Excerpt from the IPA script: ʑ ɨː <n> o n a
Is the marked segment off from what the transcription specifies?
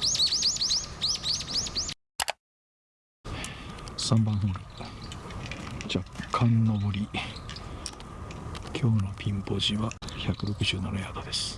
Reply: no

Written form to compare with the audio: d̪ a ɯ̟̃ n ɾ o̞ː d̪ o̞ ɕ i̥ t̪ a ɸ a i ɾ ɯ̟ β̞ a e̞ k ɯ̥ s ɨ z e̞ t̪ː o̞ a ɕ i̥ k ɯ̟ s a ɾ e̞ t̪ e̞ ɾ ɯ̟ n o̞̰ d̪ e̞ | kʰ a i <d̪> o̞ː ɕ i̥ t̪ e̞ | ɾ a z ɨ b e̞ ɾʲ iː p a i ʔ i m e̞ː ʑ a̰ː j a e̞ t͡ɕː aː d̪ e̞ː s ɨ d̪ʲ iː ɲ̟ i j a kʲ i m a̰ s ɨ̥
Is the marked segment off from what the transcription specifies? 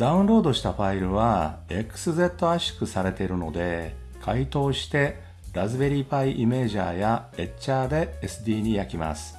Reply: yes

